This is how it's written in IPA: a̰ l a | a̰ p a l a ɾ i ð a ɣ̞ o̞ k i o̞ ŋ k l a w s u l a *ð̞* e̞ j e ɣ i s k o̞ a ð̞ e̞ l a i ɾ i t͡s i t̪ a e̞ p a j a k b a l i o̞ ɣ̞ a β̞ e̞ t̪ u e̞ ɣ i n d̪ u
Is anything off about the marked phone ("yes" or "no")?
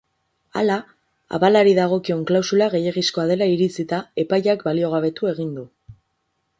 yes